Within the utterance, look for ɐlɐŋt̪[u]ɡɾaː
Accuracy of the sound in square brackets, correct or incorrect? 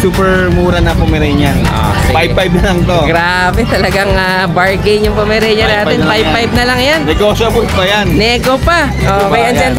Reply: incorrect